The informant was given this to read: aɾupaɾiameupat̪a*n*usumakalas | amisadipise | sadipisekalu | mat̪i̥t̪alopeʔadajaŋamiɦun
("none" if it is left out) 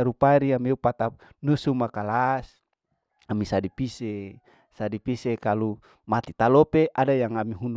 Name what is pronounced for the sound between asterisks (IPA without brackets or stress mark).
n